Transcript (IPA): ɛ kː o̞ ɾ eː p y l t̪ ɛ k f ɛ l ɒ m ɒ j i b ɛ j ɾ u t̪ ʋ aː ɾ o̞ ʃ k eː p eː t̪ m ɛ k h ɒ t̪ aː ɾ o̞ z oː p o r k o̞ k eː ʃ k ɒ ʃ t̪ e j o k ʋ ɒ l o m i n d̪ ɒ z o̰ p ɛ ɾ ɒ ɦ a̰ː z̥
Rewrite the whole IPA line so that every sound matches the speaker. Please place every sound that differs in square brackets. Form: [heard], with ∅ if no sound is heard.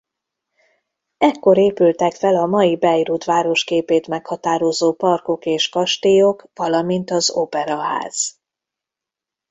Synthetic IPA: ɛ kː o̞ ɾ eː p y l t̪ ɛ k f ɛ l ɒ m ɒ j i b ɛ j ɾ u t̪ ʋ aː ɾ o̞ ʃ k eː p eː t̪ m ɛ k h ɒ t̪ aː ɾ o̞ z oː p [ɒ] r k o̞ k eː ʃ k ɒ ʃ t̪ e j o k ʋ ɒ l [ɒ] m i n [t̪] ɒ z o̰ p ɛ ɾ ɒ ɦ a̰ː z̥